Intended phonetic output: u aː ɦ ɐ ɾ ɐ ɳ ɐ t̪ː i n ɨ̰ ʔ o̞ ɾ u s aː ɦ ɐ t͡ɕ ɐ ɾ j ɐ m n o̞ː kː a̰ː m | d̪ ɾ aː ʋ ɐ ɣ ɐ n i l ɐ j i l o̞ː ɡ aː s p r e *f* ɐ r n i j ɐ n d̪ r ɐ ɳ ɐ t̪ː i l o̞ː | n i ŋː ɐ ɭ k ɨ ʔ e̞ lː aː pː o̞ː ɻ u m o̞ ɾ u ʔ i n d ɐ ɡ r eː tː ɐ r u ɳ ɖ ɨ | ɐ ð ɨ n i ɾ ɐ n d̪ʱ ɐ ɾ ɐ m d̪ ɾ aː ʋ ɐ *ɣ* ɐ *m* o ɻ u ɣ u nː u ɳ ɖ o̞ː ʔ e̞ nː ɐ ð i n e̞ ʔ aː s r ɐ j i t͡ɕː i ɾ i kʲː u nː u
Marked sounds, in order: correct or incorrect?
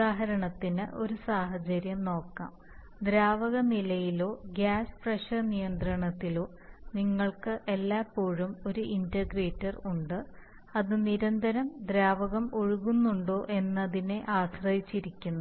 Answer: incorrect, correct, correct

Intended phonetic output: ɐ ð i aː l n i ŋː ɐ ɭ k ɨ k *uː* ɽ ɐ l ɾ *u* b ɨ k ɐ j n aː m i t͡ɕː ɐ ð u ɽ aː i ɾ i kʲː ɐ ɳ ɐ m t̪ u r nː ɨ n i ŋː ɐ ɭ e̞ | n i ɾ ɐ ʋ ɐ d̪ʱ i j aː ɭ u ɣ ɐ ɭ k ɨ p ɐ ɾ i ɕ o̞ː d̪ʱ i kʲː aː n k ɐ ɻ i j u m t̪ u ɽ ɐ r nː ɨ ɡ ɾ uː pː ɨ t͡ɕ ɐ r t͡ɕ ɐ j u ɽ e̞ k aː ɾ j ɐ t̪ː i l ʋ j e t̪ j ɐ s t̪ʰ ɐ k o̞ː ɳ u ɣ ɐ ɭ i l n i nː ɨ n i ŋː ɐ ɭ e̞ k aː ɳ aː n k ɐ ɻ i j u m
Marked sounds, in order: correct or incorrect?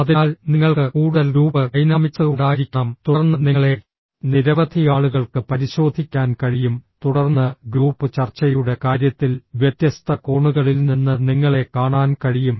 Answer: correct, incorrect

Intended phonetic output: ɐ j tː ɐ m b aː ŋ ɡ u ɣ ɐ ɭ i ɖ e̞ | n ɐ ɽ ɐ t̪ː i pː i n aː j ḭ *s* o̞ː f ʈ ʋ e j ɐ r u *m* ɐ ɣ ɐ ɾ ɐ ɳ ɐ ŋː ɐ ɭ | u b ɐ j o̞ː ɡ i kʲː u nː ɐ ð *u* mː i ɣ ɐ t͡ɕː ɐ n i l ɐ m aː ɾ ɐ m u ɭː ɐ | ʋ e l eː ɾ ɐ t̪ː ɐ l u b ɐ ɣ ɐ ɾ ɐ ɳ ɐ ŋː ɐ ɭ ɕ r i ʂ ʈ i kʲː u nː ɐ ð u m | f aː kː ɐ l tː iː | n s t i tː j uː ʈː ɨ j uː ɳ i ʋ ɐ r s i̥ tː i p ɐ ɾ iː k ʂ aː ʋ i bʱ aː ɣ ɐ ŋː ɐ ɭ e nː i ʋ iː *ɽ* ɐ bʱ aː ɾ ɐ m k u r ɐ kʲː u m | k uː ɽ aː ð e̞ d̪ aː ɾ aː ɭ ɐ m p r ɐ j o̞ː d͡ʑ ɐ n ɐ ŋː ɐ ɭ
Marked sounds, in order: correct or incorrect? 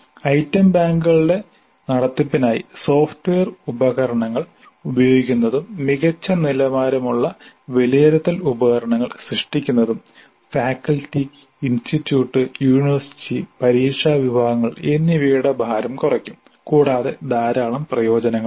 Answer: correct, incorrect, correct, correct

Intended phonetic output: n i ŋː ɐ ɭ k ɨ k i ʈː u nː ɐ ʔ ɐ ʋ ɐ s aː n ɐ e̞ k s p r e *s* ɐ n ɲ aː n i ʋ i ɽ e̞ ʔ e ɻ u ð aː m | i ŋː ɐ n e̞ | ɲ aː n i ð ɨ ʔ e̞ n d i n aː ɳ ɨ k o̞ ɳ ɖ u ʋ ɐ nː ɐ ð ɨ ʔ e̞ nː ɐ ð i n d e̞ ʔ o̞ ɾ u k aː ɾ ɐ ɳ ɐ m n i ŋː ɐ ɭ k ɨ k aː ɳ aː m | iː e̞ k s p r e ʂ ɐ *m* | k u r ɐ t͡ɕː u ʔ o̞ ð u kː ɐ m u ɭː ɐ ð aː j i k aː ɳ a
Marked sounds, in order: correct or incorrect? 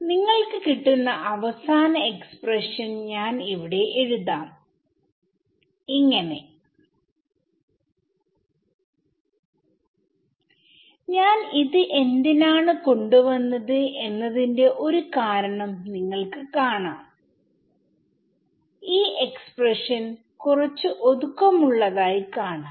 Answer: incorrect, incorrect

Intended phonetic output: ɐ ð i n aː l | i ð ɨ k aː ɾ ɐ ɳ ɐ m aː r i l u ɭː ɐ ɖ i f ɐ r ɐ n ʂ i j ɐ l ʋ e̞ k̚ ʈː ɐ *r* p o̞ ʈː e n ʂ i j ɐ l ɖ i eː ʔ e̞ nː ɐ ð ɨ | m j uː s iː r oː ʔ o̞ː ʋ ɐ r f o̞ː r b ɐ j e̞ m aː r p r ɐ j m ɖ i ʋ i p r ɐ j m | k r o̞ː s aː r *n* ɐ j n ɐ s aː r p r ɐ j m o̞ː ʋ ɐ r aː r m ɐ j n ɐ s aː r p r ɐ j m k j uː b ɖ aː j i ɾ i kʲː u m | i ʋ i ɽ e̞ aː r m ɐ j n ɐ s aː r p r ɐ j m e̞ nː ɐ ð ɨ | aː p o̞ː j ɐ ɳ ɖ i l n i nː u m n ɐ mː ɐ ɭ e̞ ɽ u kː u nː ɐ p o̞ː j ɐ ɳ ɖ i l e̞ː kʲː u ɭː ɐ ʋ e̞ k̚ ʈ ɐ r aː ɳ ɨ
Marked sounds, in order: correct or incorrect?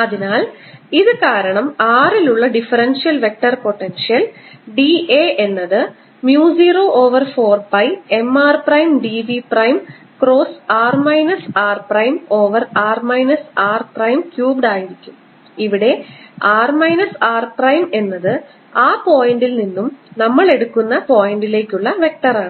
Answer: correct, incorrect

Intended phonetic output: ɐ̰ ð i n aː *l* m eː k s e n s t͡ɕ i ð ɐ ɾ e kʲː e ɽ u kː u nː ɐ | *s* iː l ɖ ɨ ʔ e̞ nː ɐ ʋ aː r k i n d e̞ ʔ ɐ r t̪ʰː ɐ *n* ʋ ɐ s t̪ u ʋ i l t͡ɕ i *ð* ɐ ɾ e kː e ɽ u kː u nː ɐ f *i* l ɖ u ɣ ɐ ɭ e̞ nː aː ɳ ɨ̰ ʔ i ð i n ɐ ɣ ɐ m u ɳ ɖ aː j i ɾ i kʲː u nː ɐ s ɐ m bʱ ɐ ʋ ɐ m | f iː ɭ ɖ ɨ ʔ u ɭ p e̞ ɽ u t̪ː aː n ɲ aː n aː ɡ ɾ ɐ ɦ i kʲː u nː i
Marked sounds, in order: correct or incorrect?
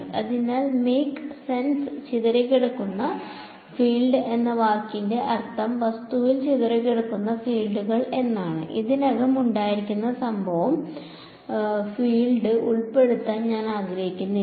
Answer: correct, incorrect, incorrect, correct, incorrect

